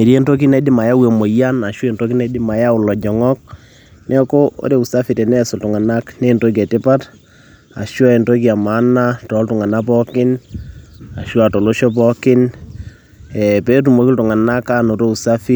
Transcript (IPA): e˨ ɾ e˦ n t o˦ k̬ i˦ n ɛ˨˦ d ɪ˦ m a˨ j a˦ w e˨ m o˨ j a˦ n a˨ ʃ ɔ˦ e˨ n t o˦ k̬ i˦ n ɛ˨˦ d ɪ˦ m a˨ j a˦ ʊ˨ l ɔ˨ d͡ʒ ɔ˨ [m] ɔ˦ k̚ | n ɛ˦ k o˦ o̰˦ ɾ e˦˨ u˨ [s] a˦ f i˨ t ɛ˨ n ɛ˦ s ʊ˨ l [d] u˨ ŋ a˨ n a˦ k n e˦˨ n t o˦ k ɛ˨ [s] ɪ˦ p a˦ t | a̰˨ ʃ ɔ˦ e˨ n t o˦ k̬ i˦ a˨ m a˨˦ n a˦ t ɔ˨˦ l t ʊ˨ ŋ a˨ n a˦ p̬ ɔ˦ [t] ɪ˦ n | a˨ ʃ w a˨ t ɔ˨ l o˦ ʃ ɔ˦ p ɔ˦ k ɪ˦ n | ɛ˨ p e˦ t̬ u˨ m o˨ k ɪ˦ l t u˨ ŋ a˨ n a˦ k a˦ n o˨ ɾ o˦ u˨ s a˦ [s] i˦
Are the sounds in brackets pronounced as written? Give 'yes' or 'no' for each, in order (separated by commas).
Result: no, yes, no, no, no, no